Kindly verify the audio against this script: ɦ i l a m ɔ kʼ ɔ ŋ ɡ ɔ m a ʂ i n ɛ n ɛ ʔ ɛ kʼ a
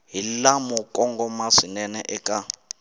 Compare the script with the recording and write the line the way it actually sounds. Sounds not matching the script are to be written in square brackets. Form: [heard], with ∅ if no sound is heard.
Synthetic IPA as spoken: ɦ i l a m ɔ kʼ ɔ ŋ ɡ ɔ m a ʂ i n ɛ n ɛ ʔ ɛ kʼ a